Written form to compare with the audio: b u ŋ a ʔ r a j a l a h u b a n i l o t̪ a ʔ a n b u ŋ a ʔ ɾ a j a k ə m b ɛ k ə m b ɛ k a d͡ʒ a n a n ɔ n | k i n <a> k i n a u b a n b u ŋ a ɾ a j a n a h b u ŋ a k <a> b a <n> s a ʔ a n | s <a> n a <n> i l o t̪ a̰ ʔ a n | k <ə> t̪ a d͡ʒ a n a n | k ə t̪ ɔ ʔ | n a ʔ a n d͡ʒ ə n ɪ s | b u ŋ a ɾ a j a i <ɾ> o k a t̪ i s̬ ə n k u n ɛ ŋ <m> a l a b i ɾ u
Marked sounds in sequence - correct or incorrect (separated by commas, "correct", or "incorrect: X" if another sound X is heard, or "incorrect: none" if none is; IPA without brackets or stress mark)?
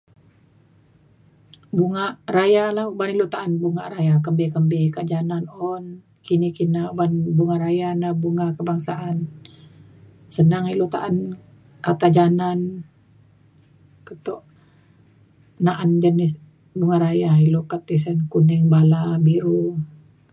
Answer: incorrect: i, incorrect: ə, incorrect: ŋ, incorrect: ə, incorrect: ŋ, incorrect: a, incorrect: l, incorrect: b